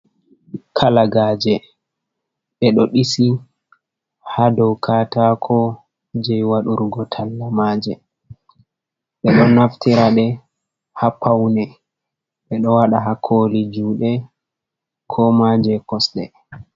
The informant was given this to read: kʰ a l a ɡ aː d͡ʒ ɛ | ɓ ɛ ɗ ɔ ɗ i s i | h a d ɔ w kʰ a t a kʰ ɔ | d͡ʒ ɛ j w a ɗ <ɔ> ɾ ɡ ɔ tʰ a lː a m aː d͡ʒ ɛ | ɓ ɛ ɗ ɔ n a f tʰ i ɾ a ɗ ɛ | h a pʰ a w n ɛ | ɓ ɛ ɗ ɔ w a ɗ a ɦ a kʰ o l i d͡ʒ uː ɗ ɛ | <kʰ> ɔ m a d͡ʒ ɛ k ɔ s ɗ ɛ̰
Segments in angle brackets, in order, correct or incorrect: incorrect: u, correct

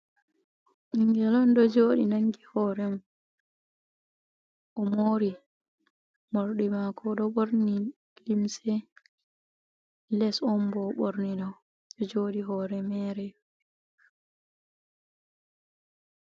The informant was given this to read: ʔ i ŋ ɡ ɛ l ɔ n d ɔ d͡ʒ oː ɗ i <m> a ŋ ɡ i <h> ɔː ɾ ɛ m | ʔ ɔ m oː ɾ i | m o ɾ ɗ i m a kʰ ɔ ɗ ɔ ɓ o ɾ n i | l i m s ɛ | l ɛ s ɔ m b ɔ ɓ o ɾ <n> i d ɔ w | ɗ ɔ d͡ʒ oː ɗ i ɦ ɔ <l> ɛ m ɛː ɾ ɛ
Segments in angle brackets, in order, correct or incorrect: incorrect: n, correct, correct, incorrect: ɾ

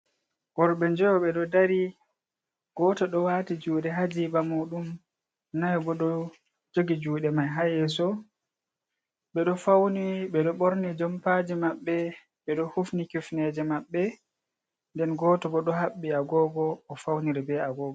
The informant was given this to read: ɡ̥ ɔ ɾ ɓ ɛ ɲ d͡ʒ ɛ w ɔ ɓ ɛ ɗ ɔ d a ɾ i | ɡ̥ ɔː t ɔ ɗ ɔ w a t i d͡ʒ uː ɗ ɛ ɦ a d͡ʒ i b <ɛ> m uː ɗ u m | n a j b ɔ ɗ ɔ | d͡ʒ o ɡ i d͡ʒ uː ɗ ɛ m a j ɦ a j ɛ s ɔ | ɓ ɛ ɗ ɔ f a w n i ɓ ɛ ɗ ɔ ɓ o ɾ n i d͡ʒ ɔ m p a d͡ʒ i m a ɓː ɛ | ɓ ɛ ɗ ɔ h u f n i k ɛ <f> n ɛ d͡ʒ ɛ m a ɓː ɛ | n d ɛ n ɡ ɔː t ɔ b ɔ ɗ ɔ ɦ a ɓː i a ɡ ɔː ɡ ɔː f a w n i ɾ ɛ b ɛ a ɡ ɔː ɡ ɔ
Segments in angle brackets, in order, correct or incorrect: incorrect: a, correct

